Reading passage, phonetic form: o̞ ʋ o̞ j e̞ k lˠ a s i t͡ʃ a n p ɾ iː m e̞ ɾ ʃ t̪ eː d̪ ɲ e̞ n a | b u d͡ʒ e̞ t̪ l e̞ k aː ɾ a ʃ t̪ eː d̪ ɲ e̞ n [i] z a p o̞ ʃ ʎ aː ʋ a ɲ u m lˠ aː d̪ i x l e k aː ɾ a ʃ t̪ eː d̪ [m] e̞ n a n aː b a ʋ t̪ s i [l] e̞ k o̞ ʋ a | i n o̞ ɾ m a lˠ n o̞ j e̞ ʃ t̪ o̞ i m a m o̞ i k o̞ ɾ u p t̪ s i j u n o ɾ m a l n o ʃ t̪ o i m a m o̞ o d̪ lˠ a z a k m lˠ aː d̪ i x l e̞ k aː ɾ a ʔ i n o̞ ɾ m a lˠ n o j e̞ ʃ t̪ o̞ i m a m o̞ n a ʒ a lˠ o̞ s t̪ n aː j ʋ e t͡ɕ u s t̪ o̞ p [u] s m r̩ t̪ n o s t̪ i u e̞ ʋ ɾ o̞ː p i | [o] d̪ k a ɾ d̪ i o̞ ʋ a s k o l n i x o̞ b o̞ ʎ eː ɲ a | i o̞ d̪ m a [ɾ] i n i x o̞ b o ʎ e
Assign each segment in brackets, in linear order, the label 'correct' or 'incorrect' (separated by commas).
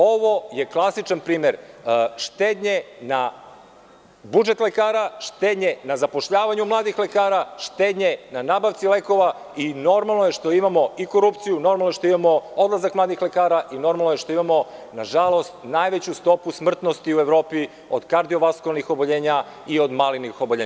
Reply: incorrect, incorrect, correct, correct, correct, incorrect